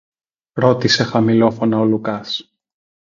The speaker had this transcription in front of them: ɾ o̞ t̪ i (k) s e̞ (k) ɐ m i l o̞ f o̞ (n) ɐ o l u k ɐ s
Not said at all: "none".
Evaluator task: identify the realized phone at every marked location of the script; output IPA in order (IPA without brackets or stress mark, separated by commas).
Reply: none, x, n